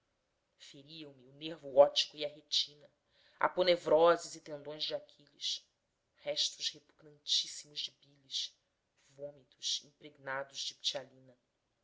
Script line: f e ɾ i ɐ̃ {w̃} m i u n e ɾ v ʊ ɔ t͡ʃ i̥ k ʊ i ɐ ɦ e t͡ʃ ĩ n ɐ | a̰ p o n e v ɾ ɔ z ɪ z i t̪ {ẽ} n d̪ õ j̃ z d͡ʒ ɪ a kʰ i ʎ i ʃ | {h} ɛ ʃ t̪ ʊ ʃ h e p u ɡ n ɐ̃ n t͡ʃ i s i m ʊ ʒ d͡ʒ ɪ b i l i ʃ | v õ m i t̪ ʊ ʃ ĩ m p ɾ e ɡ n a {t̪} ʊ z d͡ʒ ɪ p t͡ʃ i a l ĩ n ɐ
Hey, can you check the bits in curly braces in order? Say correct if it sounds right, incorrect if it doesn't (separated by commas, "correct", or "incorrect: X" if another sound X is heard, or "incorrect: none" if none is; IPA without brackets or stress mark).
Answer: correct, correct, correct, incorrect: d̪